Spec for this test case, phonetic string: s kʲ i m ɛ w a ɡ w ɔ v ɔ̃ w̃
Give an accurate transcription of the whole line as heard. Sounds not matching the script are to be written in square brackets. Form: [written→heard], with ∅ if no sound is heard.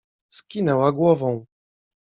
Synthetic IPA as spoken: s kʲ i [m→n] ɛ w a ɡ w ɔ v ɔ̃ w̃